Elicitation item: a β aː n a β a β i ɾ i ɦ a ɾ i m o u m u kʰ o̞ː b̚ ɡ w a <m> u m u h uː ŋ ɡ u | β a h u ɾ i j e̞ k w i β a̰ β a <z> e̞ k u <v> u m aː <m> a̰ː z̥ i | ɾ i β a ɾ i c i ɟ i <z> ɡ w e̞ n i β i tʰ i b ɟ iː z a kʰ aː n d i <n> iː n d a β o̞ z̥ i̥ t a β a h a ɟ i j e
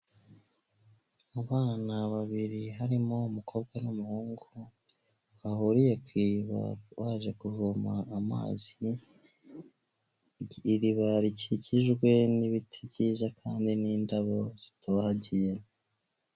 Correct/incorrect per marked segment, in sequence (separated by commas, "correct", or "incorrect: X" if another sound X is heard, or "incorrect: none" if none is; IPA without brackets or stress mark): incorrect: n, incorrect: ʒ, correct, correct, incorrect: ʒ, correct